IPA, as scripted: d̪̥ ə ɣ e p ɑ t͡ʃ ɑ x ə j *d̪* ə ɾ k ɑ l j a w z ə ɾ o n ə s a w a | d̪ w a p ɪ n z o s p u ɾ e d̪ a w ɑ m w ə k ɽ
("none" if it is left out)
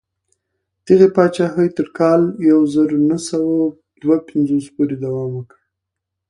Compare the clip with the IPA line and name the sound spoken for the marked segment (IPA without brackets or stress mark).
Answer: t̪